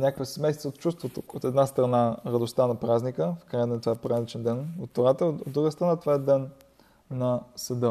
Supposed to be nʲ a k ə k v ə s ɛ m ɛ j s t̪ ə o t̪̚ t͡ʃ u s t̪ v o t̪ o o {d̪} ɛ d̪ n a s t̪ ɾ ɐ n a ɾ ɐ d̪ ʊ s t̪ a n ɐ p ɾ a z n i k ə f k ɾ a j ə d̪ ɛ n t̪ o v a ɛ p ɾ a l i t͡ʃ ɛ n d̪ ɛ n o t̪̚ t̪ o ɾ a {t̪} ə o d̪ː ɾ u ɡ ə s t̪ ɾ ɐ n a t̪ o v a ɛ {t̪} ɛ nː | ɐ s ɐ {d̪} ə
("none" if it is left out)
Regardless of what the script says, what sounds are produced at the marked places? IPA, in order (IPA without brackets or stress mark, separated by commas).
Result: t̪, t̪, d̪, d̪